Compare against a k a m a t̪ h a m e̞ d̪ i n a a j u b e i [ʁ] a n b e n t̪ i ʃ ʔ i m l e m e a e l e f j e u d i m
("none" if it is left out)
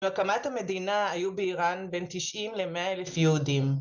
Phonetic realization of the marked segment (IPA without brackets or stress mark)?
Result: ʁ